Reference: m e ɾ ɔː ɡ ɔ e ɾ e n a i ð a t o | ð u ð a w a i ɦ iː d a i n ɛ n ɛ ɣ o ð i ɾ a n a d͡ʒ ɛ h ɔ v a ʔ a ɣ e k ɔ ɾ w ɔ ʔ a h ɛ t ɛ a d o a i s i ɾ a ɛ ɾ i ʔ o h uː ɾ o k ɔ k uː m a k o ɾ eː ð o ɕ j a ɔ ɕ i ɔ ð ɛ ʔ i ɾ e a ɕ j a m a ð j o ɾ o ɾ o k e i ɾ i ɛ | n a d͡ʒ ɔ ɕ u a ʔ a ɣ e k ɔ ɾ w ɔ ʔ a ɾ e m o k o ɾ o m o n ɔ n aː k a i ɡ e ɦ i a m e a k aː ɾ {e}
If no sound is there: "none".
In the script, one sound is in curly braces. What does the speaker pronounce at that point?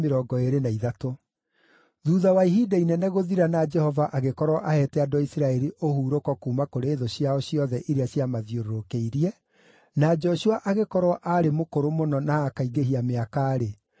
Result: e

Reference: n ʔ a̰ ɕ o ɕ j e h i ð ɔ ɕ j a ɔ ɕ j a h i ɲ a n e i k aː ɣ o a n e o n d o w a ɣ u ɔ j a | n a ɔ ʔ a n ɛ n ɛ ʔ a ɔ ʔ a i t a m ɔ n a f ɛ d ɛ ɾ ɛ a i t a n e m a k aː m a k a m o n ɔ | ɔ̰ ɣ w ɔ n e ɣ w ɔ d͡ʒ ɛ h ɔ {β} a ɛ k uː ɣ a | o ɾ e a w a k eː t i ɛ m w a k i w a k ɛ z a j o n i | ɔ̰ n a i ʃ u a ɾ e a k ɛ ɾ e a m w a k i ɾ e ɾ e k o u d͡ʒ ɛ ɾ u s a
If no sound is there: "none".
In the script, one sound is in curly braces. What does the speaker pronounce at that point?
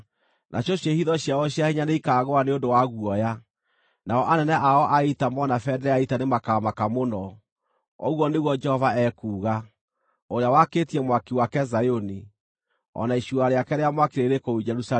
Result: v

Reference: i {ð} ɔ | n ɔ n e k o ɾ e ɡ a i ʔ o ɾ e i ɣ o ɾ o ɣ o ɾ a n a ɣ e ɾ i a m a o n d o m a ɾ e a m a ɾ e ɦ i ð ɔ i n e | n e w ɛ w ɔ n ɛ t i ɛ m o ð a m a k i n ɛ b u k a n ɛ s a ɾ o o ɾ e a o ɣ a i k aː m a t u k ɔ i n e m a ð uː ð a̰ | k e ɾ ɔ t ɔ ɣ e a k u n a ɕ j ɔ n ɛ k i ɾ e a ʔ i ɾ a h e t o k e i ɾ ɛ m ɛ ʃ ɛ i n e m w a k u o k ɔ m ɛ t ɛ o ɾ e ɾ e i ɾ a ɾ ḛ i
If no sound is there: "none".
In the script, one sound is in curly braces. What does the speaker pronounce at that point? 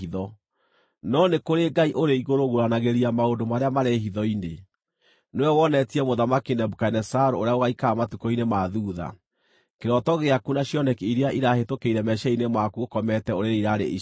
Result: ð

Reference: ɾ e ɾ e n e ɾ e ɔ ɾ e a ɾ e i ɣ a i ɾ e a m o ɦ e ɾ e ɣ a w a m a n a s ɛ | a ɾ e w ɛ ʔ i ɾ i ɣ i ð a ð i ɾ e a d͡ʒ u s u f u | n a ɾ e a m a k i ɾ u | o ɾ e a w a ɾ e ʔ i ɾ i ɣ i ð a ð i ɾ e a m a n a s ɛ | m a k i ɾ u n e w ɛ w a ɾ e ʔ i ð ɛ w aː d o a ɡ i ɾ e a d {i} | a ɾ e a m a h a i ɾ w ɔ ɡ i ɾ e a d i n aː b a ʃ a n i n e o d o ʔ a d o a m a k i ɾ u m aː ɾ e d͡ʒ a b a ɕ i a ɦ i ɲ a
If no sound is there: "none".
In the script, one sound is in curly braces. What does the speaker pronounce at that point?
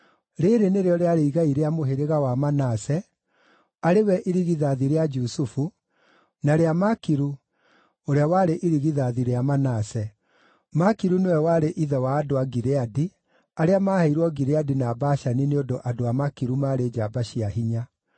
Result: i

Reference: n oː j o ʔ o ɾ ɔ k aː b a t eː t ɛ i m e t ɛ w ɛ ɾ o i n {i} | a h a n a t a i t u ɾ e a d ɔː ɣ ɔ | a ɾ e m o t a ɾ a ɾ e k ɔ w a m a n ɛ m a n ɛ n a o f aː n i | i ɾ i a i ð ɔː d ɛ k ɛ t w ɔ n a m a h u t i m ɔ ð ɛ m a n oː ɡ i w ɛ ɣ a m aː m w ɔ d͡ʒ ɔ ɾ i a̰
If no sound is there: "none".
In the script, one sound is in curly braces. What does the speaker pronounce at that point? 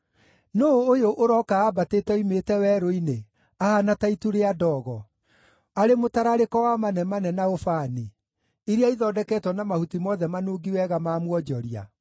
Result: e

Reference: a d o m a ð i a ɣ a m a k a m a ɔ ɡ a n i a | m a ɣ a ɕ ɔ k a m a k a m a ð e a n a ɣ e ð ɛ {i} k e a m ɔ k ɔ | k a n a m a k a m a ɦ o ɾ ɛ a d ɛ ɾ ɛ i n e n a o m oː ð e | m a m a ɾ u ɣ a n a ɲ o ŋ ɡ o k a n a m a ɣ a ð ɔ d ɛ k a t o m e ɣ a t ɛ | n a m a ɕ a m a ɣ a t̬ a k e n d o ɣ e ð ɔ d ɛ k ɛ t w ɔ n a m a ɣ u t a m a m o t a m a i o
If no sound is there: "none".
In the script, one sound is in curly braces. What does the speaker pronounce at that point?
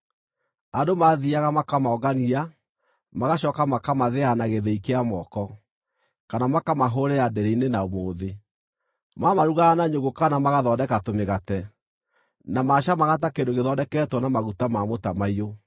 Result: i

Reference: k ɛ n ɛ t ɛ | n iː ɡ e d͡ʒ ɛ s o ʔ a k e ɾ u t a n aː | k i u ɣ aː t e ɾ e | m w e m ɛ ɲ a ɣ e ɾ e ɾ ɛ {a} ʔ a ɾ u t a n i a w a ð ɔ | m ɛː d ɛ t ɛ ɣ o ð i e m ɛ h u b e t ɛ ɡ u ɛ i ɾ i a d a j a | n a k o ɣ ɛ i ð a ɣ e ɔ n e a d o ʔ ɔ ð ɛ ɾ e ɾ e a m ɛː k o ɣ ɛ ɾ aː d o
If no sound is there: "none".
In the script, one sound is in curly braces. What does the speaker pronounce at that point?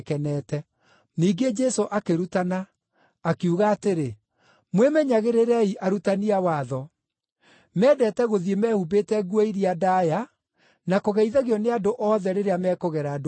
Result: i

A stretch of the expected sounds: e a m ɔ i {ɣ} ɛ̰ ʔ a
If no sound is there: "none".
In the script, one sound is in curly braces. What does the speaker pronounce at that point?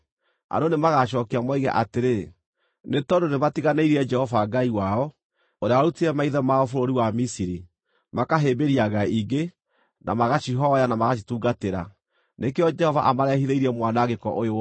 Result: ɣ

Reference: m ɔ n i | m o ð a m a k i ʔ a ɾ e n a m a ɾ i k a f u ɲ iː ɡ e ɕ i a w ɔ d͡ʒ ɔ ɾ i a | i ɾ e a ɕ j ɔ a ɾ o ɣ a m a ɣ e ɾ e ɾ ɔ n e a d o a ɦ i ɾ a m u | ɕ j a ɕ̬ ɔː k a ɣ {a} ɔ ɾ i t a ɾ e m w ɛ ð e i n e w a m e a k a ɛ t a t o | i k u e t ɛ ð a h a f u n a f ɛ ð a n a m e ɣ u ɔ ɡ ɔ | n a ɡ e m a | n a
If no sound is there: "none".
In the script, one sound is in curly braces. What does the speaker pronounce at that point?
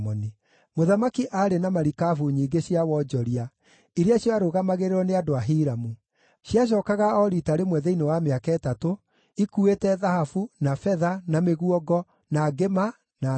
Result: a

